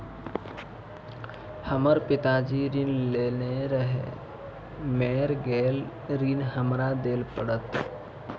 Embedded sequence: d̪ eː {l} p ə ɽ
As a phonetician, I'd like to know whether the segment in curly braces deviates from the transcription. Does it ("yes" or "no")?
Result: no